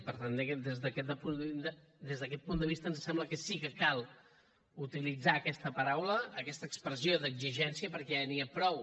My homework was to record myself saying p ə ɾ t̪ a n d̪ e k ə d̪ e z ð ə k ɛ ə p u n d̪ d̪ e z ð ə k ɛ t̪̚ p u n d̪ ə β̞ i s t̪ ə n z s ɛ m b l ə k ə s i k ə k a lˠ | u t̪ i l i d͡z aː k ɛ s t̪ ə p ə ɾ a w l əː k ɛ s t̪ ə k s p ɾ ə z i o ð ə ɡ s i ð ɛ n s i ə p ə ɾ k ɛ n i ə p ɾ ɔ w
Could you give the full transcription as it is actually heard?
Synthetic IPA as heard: p ə ɾ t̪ a n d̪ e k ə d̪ e z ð ə k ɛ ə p u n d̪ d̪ e z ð ə k ɛ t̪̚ p u n d̪ ə β̞ i s t̪ ə n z s ɛ m b l ə k ə s i k ə k a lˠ | u t̪ i l i d͡z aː k ɛ s t̪ ə p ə ɾ a w l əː k ɛ s t̪ ə k s p ɾ ə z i o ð ə ɡ z i ʒ ɛ n s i ə p ə ɾ k ɛ n i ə p ɾ ɔ w